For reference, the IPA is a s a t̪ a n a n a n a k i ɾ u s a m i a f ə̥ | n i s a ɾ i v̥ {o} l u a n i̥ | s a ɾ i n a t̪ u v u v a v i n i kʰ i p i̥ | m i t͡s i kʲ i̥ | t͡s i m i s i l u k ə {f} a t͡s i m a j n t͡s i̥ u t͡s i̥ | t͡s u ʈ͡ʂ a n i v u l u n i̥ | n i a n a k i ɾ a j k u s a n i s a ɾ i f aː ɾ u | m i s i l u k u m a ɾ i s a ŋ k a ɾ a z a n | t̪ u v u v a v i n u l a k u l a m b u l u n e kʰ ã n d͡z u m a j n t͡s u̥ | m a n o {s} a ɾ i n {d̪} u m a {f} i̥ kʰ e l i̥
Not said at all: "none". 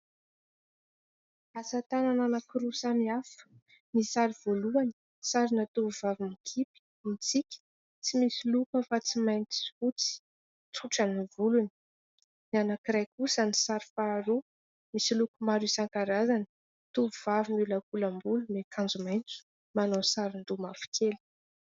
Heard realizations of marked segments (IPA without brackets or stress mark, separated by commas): o, f, s, d̪, f